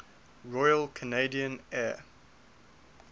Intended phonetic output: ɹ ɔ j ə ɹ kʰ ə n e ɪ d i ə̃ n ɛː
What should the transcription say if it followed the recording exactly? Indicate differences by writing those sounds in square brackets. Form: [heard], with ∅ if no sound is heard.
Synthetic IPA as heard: ɹ ɔ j ə [l] kʰ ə n e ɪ d i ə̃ n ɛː